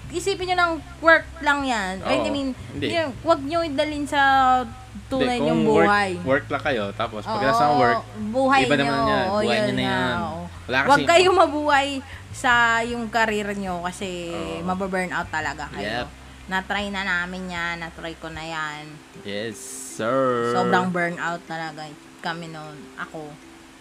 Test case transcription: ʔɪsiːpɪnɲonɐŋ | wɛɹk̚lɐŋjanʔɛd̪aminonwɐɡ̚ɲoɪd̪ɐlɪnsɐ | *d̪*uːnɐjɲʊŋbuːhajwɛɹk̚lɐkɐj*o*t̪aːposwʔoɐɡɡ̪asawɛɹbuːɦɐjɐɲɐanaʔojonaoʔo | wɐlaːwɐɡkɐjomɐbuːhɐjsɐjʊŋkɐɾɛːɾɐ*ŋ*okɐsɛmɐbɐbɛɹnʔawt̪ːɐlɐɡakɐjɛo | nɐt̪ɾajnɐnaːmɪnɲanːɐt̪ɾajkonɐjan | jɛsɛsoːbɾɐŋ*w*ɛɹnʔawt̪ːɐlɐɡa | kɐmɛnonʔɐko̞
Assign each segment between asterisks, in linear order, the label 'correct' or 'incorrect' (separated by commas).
incorrect, correct, incorrect, incorrect